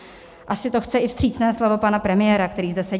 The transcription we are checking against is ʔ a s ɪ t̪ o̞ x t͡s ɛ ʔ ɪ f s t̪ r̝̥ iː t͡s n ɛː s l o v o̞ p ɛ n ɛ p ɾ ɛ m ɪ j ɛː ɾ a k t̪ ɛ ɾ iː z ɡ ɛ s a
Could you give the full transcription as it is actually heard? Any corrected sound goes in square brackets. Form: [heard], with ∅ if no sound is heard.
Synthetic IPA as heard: ʔ a s ɪ t̪ o̞ x t͡s ɛ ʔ ɪ f s t̪ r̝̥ iː t͡s n ɛː s l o v o̞ p [a] n [a] p ɾ ɛ m ɪ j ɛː ɾ a k t̪ ɛ ɾ iː z [d] ɛ s [ɛ]